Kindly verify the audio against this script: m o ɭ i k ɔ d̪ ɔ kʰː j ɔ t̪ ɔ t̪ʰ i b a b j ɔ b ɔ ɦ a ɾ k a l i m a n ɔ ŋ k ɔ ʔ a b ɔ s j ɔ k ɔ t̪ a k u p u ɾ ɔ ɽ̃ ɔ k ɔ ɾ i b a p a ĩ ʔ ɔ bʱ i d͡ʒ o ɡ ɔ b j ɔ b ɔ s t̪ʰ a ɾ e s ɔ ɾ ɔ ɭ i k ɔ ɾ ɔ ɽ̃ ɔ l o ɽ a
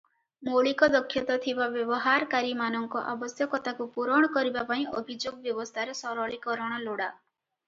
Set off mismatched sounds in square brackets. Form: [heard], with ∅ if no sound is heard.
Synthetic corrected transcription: m o ɭ i k ɔ d̪ ɔ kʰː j ɔ t̪ ɔ t̪ʰ i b a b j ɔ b ɔ ɦ a ɾ k a [ɾ] i m a n ɔ ŋ k ɔ ʔ a b ɔ s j ɔ k ɔ t̪ a k u p u ɾ ɔ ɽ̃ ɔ k ɔ ɾ i b a p a ĩ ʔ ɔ bʱ i d͡ʒ o ɡ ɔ b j ɔ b ɔ s t̪ʰ a ɾ e s ɔ ɾ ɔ ɭ i k ɔ ɾ ɔ ɽ̃ ɔ l o ɽ a